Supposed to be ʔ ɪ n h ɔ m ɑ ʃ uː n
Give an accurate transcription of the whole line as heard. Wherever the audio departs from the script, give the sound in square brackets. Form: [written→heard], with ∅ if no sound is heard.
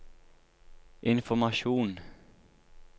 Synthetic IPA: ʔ ɪ n [h→f] ɔ m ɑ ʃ uː n